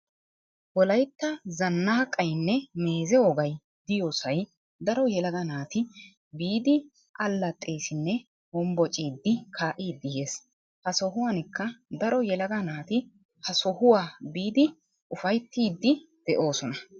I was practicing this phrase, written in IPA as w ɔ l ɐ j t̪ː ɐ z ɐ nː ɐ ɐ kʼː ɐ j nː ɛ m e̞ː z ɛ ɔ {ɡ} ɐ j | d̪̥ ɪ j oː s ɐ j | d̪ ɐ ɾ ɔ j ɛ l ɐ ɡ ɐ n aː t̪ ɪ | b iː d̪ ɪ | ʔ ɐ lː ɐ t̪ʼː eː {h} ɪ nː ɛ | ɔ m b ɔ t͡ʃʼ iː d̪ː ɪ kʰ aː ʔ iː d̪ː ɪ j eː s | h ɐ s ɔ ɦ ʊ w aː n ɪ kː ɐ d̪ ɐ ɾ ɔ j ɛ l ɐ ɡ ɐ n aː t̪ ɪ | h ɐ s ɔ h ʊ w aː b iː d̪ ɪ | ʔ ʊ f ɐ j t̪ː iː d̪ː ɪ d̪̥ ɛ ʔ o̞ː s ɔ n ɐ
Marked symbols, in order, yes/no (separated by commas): yes, no